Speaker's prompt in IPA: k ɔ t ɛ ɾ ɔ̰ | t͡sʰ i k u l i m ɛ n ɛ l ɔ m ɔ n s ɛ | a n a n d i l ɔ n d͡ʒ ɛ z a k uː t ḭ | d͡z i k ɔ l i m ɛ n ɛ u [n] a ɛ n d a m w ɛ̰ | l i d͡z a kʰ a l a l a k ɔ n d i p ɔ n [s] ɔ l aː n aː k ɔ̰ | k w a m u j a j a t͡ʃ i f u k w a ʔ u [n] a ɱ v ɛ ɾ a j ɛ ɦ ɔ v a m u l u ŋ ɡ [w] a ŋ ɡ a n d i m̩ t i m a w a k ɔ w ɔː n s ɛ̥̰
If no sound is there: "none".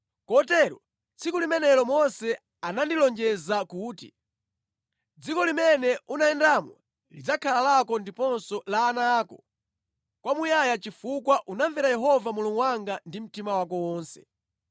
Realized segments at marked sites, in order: n, s, n, w

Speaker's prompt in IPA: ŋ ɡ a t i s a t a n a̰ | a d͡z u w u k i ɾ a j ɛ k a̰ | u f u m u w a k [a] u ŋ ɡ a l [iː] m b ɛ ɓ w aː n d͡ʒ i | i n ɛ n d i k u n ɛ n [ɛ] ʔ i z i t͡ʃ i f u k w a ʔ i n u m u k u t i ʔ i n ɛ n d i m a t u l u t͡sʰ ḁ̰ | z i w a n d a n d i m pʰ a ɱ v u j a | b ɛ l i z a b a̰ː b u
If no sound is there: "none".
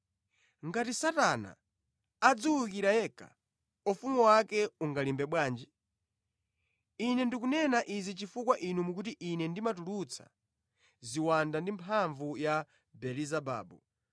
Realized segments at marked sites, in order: ɛ, i, a

